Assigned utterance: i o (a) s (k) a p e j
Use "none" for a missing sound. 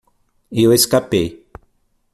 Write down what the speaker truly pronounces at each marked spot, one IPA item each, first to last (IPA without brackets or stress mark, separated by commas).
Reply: e, k